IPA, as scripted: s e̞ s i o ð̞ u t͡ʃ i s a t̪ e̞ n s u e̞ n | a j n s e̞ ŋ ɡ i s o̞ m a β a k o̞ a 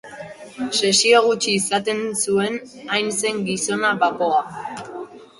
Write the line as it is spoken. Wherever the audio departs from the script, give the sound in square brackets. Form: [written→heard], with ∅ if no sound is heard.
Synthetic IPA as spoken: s e̞ s i o [ð̞→ɣ̞] u t͡ʃ [i→iː] s a t̪ e̞ n s u e̞ n | a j n s e̞ ŋ ɡ i s o̞ [m→n] a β a k o̞ a